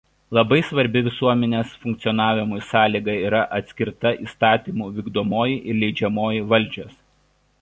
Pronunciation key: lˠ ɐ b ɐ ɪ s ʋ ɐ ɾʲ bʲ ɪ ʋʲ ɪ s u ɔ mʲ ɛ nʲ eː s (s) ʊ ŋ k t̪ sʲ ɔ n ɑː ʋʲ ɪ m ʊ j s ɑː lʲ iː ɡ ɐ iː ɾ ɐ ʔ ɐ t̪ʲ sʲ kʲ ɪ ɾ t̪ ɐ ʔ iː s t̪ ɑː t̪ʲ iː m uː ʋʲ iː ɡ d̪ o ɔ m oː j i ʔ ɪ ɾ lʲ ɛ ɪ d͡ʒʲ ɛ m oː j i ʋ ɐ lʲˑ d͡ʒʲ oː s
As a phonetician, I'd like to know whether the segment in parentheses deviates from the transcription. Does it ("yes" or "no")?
yes